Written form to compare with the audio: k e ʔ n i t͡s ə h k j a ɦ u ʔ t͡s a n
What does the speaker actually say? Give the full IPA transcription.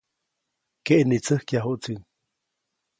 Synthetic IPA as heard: k e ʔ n i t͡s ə h k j a ɦ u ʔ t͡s i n